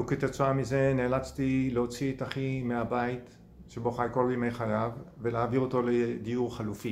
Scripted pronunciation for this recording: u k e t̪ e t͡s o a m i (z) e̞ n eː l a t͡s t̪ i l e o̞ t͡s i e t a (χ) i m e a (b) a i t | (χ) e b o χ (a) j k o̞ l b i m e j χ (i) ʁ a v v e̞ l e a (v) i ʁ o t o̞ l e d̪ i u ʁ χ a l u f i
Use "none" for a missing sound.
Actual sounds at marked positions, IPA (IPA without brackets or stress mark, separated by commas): z, χ, b, ʃ, a, a, v